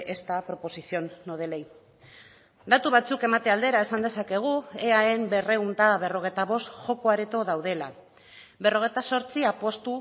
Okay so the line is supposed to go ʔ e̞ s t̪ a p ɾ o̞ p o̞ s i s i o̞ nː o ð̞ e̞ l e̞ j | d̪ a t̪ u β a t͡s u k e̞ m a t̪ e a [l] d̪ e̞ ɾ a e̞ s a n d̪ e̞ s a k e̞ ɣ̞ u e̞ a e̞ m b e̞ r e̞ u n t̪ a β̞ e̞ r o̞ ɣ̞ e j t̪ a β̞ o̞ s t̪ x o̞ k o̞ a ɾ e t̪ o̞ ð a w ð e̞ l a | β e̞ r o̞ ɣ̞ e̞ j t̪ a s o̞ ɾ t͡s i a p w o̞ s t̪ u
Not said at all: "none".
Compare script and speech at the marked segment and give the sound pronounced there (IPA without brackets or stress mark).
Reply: l